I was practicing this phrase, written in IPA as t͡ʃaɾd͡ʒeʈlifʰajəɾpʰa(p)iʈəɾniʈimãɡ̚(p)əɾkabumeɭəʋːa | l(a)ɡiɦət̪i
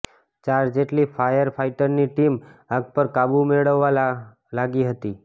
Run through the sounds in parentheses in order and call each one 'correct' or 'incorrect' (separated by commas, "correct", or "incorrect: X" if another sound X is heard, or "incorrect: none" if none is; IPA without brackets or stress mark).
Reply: incorrect: none, correct, correct